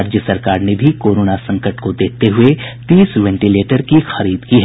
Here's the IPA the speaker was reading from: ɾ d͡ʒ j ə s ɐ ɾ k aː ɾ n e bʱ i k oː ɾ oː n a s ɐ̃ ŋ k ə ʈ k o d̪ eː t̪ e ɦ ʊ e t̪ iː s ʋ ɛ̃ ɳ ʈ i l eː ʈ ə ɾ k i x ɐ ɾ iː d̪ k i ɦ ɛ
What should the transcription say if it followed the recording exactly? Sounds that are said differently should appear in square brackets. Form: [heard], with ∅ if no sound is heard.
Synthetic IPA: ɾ d͡ʒ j ə s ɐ ɾ k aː ɾ n e bʱ i k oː ɾ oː n a s ɐ̃ ŋ k ə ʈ k o d̪ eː t̪ e ɦ ʊ e t̪ iː s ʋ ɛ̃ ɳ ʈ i l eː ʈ ə ɾ k i x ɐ ɾ iː d̪ k i ɦ ɛ